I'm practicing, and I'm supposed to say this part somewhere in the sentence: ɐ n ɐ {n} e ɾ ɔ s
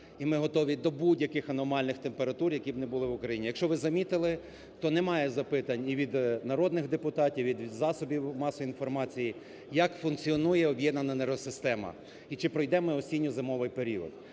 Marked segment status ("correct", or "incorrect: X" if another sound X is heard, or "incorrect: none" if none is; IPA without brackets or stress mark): correct